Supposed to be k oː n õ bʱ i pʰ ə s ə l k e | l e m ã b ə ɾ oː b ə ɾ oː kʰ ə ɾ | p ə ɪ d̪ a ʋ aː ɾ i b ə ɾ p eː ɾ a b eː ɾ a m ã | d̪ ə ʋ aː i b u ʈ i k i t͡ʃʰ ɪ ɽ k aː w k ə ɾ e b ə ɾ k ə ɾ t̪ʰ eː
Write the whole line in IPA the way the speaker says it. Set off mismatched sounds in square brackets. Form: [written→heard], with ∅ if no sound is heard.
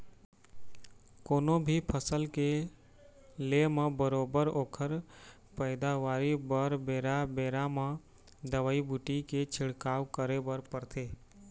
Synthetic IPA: k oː n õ bʱ i pʰ ə s ə l k e | l e m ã b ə ɾ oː b ə ɾ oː kʰ ə ɾ | p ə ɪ d̪ a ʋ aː ɾ i b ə ɾ [p→b] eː ɾ a b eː ɾ a m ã | d̪ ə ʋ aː i b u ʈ i k [i→e] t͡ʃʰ ɪ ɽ k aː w k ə ɾ e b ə ɾ [k→p] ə ɾ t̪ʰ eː

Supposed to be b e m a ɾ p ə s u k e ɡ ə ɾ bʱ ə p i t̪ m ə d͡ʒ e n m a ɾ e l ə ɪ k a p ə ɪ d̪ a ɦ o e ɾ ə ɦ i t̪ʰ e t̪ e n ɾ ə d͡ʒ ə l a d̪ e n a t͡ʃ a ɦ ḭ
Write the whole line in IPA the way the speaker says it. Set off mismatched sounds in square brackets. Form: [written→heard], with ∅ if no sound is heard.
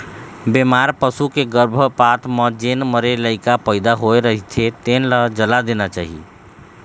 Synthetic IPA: b e m a ɾ p ə s u k e ɡ ə ɾ bʱ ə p [i→a] t̪ m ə d͡ʒ e n m [a→ə] ɾ e l ə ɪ k a p ə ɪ d̪ a ɦ o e ɾ ə ɦ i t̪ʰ e t̪ e n [ɾ→l] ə d͡ʒ ə l a d̪ e n a t͡ʃ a ɦ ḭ

